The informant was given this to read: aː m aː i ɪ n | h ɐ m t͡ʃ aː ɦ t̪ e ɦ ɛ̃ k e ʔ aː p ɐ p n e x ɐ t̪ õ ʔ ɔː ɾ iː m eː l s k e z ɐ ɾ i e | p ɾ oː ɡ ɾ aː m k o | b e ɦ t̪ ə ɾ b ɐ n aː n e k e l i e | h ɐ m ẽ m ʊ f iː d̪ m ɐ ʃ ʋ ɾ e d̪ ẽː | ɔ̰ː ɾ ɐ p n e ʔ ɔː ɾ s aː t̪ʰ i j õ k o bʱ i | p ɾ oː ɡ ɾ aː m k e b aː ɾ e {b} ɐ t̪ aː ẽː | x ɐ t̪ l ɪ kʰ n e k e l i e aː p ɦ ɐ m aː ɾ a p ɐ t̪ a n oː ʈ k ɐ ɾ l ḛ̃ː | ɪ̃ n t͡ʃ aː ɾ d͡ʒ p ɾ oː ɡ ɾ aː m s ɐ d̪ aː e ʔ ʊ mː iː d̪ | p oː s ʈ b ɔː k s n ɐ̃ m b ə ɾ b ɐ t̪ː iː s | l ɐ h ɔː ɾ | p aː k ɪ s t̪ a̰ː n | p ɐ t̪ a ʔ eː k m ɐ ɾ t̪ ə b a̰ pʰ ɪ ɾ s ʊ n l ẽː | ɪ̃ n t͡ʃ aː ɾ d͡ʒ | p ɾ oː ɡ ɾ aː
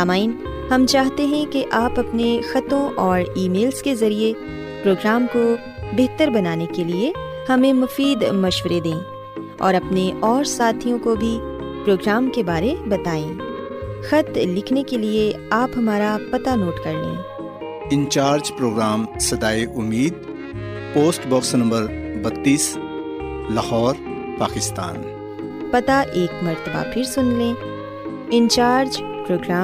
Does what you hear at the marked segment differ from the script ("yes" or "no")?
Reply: no